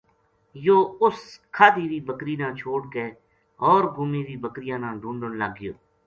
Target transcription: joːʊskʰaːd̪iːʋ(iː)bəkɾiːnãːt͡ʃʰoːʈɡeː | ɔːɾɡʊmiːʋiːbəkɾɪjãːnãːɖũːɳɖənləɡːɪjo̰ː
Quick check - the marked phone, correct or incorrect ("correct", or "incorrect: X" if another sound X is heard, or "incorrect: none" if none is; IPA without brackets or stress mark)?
correct